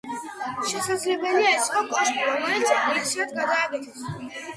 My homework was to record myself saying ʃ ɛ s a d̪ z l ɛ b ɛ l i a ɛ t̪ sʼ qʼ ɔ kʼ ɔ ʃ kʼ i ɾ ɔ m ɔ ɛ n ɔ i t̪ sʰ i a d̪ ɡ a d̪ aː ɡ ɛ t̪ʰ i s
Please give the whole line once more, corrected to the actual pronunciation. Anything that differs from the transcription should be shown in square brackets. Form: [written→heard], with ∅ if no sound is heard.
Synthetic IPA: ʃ ɛ s a d̪ z l ɛ b ɛ l i a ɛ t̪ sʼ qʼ ɔ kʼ ɔ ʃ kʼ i ɾ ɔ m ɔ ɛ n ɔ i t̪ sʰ i a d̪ ɡ a d̪ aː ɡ ɛ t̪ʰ [i→ɛ] s